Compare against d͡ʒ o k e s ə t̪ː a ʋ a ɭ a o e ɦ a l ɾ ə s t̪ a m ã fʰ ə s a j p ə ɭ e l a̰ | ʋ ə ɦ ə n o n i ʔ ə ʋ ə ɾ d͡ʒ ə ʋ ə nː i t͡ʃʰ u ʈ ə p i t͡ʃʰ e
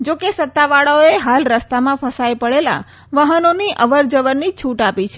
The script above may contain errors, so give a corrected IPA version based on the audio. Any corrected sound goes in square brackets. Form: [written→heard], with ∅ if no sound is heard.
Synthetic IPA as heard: d͡ʒ o k e s ə t̪ː a ʋ a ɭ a o e ɦ a l ɾ ə s t̪ a m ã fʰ ə s a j p ə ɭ e l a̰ | ʋ ə ɦ ə n o n i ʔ ə ʋ ə ɾ d͡ʒ ə ʋ ə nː i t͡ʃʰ u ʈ [ə→a] p i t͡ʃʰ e